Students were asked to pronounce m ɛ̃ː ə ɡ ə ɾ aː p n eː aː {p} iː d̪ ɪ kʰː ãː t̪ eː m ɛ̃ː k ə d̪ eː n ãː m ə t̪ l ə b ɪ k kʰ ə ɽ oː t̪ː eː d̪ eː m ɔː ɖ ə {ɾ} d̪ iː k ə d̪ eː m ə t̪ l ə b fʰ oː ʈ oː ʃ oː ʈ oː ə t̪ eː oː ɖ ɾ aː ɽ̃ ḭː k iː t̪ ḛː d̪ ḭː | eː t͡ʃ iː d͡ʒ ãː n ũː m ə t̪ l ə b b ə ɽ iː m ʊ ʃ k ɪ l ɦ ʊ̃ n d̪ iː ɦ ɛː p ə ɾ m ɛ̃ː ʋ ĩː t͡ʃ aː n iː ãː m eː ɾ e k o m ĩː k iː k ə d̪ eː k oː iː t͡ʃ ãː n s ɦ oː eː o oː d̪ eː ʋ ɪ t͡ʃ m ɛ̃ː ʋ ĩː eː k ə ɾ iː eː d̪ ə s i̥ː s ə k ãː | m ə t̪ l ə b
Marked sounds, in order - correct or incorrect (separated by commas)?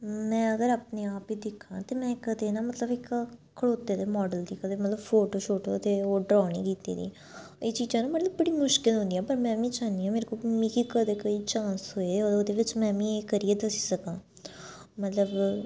correct, incorrect